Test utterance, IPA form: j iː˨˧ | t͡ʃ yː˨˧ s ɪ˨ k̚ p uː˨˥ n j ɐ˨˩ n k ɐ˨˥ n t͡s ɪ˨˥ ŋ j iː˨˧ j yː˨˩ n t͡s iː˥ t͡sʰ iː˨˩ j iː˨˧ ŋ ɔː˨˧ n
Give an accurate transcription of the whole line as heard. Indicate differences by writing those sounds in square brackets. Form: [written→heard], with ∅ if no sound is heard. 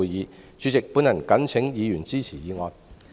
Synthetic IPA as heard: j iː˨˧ | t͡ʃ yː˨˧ [s→t͡s] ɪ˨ k̚ p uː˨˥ n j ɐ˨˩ n k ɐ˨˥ n [t͡s→t͡sʰ] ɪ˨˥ ŋ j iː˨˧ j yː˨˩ n t͡s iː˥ t͡sʰ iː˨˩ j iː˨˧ ŋ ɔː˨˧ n